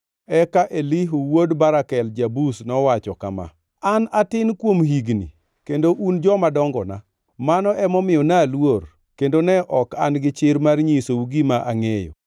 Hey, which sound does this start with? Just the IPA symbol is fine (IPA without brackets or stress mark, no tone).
ɛ